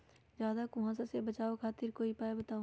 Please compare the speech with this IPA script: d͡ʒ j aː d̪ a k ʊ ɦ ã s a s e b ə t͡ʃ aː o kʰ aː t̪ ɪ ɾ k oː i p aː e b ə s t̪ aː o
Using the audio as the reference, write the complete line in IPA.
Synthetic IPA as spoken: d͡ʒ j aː d̪ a k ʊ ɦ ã s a s e b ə t͡ʃ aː o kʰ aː t̪ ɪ ɾ k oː i p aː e b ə t̪ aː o